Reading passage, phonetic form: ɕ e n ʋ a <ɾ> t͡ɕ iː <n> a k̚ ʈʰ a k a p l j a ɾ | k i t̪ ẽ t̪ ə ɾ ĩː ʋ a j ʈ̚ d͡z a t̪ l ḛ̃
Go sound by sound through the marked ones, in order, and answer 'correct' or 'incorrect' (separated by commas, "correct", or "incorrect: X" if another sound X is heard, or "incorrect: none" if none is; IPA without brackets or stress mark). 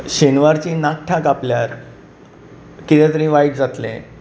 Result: correct, correct